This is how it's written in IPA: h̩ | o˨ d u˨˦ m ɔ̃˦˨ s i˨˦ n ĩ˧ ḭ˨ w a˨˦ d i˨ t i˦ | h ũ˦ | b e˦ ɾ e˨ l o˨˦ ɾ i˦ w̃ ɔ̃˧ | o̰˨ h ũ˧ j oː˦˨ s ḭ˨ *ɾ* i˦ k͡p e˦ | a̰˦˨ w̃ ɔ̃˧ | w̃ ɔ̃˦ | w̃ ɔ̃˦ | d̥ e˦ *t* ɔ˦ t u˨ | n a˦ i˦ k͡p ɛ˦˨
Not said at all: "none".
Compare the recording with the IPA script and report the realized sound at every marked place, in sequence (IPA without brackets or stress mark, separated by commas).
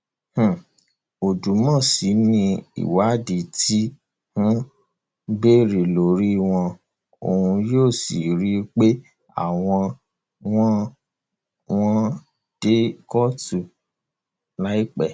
ɾ, k